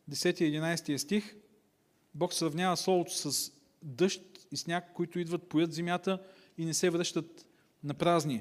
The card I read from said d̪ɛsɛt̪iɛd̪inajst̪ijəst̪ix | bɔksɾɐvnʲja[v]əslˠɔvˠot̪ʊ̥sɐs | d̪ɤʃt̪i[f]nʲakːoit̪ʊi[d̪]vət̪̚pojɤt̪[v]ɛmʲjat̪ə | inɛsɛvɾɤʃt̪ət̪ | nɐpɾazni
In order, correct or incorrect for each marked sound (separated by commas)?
correct, incorrect, correct, incorrect